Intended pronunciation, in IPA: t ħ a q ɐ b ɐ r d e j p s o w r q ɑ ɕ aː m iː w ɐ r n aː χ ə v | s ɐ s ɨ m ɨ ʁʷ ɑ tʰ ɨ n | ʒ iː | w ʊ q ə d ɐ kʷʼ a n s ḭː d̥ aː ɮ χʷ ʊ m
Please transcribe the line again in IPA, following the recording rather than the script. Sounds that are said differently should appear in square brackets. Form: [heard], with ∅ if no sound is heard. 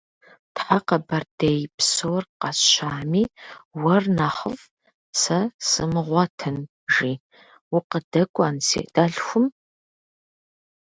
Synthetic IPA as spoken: t ħ a q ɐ b ɐ r d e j p s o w r q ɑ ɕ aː m iː w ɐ r n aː χ ə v | s ɐ s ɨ m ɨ ʁʷ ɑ tʰ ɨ n | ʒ iː | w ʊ q ə d ɐ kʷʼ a n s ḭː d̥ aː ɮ [xʷ] ʊ m